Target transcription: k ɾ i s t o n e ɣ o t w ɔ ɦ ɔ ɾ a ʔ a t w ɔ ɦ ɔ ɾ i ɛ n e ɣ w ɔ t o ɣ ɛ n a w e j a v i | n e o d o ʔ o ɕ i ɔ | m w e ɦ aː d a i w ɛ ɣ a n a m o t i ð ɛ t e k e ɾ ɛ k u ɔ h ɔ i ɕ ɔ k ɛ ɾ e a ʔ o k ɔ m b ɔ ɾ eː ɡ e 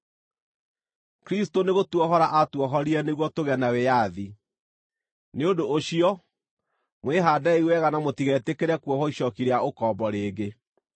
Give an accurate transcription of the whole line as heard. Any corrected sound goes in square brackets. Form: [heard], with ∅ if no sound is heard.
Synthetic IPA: k ɾ i s t o n e ɣ o t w ɔ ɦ ɔ ɾ a ʔ a t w ɔ ɦ ɔ ɾ i ɛ n e ɣ w ɔ t o ɣ ɛ n a w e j a [ð] i | n e o d o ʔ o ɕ i ɔ | m w e ɦ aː d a i w ɛ ɣ a n a m o t i [ɣ] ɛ t e k e ɾ ɛ k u ɔ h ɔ i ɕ ɔ k [i] ɾ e a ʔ o k ɔ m b ɔ ɾ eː ɡ e